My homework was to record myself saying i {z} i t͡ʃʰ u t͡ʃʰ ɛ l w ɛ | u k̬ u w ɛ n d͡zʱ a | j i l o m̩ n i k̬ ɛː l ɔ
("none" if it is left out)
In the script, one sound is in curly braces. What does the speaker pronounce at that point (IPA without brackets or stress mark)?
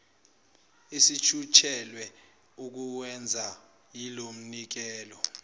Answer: s